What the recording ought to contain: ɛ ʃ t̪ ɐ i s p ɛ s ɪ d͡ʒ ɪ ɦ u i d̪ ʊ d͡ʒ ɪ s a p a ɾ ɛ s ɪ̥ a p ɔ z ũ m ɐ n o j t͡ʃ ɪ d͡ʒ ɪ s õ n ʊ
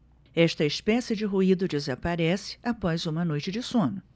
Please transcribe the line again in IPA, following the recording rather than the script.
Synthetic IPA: ɛ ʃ t̪ ɐ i s p ɛ s ɪ d͡ʒ ɪ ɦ u i d̪ ʊ d͡ʒ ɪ z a p a ɾ ɛ s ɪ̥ a p ɔ z ũ m ɐ n o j t͡ʃ ɪ d͡ʒ ɪ s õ n ʊ